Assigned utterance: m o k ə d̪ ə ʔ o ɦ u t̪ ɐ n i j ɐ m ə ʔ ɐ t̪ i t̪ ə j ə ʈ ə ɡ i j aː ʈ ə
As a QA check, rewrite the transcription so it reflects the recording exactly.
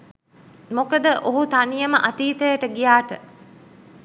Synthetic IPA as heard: m o k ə d̪ ə ʔ o ɦ u t̪ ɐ n i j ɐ m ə ʔ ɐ t̪ iː t̪ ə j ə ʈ ə ɡ i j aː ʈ ə